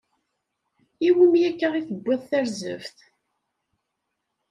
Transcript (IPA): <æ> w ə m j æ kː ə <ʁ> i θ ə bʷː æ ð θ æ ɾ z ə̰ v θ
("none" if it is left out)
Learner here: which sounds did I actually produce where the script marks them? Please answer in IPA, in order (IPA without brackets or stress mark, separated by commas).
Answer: i, ʁ